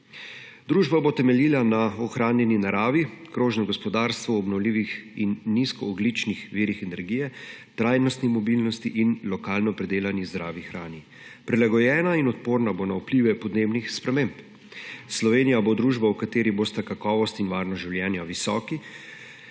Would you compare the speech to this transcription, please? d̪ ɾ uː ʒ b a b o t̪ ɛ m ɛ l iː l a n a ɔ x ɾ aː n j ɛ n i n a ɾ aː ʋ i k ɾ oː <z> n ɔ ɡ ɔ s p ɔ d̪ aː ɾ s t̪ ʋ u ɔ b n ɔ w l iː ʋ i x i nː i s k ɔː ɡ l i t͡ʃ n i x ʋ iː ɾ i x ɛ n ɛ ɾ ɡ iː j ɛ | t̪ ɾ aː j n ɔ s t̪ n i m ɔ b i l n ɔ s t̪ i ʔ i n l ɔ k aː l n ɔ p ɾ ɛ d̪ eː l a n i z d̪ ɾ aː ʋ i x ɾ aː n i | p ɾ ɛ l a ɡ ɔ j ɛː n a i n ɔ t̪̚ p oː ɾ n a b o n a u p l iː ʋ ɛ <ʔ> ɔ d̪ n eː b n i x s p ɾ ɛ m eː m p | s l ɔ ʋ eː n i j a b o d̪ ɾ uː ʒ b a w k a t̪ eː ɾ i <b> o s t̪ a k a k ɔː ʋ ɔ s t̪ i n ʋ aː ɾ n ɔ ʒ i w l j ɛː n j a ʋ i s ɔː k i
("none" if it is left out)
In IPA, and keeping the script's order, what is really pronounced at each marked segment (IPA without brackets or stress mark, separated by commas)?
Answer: ʒ, p, b